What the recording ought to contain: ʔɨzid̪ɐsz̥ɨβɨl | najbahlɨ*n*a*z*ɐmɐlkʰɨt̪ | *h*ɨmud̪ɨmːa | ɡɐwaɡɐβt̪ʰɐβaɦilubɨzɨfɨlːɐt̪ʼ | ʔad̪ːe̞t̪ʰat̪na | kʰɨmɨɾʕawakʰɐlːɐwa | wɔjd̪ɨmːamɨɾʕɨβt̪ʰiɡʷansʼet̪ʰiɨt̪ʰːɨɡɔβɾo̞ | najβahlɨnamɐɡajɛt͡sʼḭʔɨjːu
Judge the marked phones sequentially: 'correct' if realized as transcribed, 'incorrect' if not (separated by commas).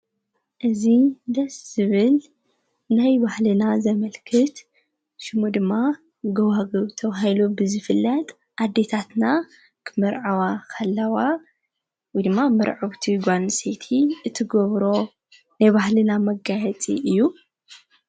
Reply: correct, correct, incorrect